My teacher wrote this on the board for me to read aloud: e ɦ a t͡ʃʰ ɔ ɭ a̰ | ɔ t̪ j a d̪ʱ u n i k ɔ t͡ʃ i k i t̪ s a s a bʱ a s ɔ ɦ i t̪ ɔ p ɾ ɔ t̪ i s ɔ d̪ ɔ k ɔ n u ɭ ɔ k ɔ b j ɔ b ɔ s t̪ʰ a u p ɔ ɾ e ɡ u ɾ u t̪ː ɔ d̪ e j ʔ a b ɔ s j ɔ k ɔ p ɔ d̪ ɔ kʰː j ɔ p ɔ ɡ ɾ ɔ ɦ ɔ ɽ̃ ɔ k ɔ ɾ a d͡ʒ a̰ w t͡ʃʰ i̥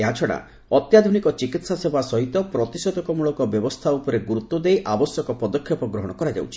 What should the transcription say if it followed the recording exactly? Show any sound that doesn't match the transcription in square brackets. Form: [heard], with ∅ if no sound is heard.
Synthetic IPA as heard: e ɦ a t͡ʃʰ ɔ [ɽ] a̰ | ɔ t̪ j a d̪ʱ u n i k ɔ t͡ʃ i k i t̪ s a s [e] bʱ a s ɔ ɦ i t̪ ɔ p ɾ ɔ t̪ i s ɔ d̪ ɔ k ɔ [m] u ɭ ɔ k ɔ b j ɔ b ɔ s t̪ʰ a u p ɔ ɾ e ɡ u ɾ u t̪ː ɔ d̪ e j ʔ a b ɔ s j ɔ k ɔ p ɔ d̪ ɔ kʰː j ɔ p ɔ ɡ ɾ ɔ ɦ ɔ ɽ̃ ɔ k ɔ ɾ a d͡ʒ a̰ w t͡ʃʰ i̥